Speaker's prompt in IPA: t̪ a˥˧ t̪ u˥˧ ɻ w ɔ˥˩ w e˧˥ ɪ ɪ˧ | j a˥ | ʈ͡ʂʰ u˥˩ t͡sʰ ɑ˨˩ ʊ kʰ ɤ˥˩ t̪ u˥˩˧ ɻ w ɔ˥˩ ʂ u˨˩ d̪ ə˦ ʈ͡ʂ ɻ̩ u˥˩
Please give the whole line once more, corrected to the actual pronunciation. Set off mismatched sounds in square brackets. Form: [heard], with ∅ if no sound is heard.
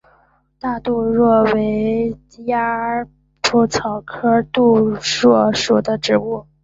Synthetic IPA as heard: t̪ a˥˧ t̪ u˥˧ ɻ w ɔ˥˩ w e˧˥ ɪ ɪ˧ | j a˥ | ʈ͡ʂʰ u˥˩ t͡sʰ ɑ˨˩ ʊ kʰ [ɤ˥] t̪ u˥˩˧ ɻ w ɔ˥˩ ʂ u˨˩ d̪ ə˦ ʈ͡ʂ ɻ̩ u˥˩

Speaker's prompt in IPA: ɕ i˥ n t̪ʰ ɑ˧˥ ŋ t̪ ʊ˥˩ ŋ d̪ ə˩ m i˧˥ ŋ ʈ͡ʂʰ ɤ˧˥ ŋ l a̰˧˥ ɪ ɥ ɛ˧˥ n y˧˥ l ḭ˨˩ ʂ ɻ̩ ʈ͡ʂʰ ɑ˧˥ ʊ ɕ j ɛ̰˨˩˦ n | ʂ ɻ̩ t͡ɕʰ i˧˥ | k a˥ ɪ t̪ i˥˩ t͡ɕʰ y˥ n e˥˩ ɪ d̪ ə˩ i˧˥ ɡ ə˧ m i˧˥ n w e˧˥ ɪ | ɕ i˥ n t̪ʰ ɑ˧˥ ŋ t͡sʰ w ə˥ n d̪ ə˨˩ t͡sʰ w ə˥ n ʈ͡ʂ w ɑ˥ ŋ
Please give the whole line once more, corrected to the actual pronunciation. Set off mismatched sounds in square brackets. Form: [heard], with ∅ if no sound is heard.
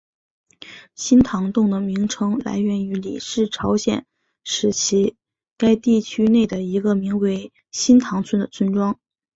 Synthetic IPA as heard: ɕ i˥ n t̪ʰ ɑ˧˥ ŋ t̪ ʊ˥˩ ŋ d̪ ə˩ m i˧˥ ŋ ʈ͡ʂʰ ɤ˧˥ ŋ l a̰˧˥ ɪ ɥ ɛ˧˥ n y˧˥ l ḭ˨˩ ʂ ɻ̩ ʈ͡ʂʰ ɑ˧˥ ʊ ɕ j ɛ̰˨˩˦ n | ʂ ɻ̩ t͡ɕʰ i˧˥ | k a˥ ɪ t̪ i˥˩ t͡ɕʰ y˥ n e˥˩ ɪ d̪ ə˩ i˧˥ ɡ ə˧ m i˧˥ [ŋ] w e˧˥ ɪ | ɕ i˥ n t̪ʰ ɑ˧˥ ŋ t͡sʰ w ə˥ n d̪ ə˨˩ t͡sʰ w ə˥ n ʈ͡ʂ w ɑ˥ ŋ

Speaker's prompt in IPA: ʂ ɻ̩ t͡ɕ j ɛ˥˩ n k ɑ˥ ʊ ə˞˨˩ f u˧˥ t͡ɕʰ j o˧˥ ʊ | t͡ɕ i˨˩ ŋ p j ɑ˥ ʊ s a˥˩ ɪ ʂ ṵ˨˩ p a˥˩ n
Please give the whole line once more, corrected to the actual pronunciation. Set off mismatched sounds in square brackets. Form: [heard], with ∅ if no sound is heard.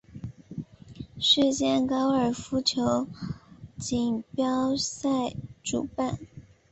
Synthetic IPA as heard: ʂ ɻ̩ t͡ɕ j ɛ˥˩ n k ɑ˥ ʊ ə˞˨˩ f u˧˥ t͡ɕʰ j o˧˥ ʊ | t͡ɕ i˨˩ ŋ p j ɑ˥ ʊ s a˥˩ ɪ [ʈ͡ʂ] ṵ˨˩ p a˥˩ n

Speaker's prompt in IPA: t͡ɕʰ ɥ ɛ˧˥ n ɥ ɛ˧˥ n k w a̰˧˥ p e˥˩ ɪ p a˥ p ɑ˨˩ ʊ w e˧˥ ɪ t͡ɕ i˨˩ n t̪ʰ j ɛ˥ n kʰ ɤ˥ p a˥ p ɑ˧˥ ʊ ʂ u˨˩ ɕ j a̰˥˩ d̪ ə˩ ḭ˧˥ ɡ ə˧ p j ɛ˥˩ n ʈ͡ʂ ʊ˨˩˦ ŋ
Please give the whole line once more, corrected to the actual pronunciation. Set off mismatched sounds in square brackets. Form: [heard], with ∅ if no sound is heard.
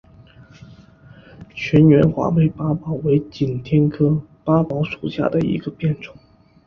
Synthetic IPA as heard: t͡ɕʰ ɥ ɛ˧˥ n ɥ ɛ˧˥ n [x] w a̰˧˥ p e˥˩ ɪ p a˥ p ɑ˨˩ ʊ w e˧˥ ɪ t͡ɕ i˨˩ n t̪ʰ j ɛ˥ n kʰ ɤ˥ p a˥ p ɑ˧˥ ʊ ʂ u˨˩ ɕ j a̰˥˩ d̪ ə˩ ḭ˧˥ ɡ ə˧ p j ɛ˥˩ n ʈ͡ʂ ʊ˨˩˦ ŋ

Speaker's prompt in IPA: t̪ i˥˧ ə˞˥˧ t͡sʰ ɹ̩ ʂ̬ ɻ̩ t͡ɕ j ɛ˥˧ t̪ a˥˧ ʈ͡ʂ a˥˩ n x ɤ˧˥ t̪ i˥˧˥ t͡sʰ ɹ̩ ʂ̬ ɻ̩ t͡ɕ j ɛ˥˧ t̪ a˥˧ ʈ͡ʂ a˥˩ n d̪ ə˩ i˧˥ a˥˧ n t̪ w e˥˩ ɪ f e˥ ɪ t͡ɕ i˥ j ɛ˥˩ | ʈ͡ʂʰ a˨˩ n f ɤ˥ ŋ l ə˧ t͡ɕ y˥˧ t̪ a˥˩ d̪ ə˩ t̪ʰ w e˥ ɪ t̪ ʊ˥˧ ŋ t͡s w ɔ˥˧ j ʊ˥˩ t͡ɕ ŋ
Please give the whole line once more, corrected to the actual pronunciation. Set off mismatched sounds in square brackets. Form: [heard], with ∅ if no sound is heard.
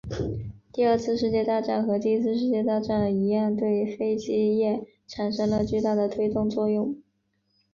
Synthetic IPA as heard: t̪ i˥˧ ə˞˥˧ t͡sʰ ɹ̩ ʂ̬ ɻ̩ t͡ɕ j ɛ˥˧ t̪ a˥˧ ʈ͡ʂ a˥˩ n x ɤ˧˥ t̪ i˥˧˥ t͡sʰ ɹ̩ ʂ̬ ɻ̩ t͡ɕ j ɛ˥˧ t̪ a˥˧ ʈ͡ʂ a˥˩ n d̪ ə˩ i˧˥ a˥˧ n t̪ w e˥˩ ɪ f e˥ ɪ t͡ɕ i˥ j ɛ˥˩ | ʈ͡ʂʰ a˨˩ n [ʂ] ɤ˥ ŋ l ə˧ t͡ɕ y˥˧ t̪ a˥˩ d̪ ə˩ t̪ʰ w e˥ ɪ t̪ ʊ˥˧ ŋ t͡s w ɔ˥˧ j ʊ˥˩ [∅] ŋ

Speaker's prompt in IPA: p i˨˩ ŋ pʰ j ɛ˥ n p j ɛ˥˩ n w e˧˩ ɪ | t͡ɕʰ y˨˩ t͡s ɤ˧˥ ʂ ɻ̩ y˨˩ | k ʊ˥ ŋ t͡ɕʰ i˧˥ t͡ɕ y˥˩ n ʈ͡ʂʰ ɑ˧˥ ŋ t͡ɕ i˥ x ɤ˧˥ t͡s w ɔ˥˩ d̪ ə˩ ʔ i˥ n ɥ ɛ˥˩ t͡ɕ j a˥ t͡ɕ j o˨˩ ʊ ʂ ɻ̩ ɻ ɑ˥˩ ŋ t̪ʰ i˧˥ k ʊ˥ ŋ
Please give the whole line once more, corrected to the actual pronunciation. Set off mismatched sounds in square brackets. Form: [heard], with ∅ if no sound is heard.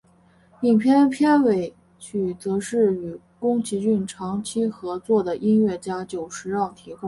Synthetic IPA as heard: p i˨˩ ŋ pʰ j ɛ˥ n [pʰ] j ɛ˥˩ n w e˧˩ ɪ | t͡ɕʰ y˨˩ t͡s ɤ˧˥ ʂ ɻ̩ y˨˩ | k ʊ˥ ŋ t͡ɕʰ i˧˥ t͡ɕ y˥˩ n ʈ͡ʂʰ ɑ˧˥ ŋ [t͡ɕʰ] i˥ x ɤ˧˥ t͡s w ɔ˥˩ d̪ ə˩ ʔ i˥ n ɥ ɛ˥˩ t͡ɕ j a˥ t͡ɕ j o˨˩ ʊ ʂ ɻ̩ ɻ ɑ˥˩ ŋ t̪ʰ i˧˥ k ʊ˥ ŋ

